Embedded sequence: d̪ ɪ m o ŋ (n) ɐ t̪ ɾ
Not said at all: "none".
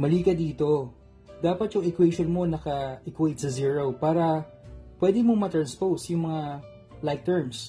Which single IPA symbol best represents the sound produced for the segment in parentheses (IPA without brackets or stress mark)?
m